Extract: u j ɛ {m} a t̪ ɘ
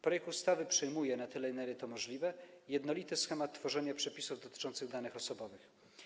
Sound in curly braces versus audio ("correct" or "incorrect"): incorrect